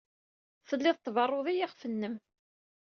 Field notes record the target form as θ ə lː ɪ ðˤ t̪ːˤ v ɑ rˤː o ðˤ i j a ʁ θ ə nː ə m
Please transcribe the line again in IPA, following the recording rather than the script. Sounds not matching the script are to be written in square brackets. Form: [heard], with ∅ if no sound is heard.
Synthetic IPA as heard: θ ə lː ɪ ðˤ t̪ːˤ v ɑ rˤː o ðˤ i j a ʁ [f] ə nː ə m

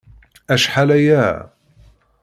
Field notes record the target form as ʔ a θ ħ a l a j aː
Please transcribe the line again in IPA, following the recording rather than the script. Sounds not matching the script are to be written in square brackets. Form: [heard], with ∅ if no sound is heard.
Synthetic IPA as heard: ʔ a [ʃ] ħ a l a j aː

